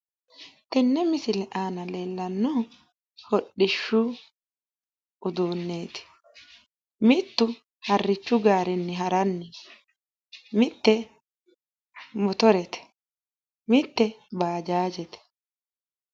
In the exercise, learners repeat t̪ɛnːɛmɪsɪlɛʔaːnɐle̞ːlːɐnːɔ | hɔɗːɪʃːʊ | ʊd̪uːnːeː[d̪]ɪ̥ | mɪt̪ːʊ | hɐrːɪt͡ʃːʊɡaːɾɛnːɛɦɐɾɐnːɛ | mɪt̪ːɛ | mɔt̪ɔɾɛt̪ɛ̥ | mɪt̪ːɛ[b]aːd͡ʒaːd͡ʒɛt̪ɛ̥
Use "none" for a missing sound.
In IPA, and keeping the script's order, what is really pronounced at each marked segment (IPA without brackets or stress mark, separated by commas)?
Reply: t̪, b